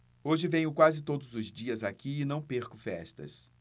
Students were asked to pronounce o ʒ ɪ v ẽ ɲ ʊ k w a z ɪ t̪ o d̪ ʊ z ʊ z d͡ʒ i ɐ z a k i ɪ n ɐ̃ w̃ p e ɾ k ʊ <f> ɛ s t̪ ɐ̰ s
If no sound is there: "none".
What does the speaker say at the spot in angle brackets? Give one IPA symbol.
f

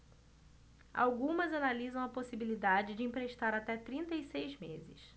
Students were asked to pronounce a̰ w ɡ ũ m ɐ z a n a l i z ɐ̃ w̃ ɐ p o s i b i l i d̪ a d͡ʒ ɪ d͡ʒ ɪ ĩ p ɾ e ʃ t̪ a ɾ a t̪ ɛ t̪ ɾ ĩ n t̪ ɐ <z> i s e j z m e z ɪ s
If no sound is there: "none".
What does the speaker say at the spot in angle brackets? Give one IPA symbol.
none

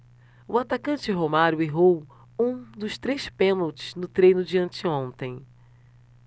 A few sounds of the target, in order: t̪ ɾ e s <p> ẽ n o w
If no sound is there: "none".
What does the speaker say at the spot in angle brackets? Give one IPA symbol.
p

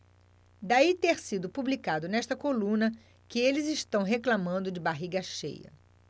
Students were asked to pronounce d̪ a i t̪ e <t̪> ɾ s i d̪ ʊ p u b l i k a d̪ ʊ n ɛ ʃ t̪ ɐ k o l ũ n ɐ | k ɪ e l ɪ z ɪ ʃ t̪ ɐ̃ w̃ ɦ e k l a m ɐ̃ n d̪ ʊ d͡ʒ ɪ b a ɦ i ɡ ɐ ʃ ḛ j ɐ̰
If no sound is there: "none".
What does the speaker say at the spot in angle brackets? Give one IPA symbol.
none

